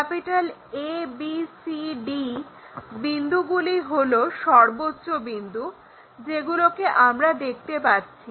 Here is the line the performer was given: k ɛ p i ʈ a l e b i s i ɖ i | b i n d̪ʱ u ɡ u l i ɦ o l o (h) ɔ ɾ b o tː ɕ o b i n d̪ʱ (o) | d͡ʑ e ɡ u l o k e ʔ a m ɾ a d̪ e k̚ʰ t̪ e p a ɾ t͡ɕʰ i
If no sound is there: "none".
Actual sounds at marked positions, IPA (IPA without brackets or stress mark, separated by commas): ʃ, u